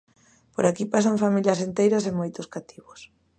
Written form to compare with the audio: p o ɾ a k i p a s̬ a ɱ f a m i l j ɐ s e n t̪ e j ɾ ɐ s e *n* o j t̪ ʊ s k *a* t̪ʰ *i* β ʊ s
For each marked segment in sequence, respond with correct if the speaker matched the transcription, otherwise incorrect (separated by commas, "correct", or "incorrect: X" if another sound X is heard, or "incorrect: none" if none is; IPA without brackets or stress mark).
incorrect: m, correct, correct